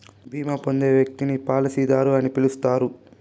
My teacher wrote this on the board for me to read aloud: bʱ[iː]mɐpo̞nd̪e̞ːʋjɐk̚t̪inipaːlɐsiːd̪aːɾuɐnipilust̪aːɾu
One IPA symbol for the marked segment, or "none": iː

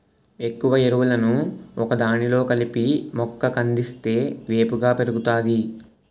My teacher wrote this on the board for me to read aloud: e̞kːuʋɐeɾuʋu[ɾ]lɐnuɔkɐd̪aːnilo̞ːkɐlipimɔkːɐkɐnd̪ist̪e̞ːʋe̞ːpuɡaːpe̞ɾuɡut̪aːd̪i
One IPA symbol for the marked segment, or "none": none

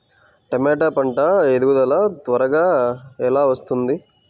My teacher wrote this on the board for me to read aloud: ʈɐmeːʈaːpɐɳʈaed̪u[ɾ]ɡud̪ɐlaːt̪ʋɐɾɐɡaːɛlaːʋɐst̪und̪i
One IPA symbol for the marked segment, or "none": none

